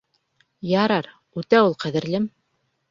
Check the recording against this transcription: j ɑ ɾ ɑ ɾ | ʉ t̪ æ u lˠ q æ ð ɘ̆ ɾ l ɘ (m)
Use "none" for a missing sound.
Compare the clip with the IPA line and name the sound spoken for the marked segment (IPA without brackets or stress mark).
m